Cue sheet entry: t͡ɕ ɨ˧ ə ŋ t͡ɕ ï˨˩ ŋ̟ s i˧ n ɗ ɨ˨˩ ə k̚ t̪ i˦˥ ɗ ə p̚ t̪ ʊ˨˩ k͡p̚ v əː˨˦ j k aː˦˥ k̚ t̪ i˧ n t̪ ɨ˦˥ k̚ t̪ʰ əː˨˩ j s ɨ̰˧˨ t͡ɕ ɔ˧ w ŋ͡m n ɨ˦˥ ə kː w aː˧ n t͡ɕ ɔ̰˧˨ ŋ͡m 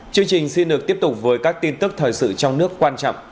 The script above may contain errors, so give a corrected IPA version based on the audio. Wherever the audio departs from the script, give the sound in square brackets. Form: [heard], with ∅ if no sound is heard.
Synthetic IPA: t͡ɕ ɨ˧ ə ŋ t͡ɕ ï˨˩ ŋ̟ s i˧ n ɗ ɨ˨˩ ə k̚ t̪ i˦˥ [∅] ə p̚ t̪ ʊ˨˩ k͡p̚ v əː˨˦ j k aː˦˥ k̚ t̪ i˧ n t̪ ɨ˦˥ k̚ t̪ʰ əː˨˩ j s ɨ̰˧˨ t͡ɕ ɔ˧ w ŋ͡m n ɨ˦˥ ə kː w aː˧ n t͡ɕ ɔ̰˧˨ ŋ͡m